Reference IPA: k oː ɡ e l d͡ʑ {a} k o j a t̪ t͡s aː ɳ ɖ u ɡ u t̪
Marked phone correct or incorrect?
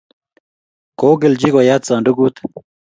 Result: incorrect